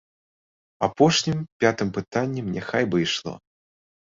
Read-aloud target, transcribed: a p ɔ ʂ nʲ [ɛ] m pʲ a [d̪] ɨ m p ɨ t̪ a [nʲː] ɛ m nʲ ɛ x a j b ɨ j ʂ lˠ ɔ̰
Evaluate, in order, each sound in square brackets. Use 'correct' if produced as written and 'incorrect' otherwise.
incorrect: i, incorrect: t̪, correct

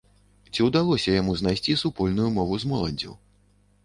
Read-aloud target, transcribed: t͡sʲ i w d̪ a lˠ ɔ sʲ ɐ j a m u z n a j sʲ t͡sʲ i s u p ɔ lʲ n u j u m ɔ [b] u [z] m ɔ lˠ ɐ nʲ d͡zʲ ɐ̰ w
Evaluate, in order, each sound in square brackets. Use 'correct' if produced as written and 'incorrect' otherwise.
incorrect: v, correct

